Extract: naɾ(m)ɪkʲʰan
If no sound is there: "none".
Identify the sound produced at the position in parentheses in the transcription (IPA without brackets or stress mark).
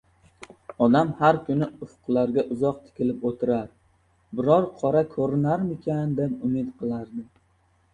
m